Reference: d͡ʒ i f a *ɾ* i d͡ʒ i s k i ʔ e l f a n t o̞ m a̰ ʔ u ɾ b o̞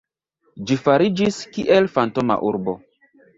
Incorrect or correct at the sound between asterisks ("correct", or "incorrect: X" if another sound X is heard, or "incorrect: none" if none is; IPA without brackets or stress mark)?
correct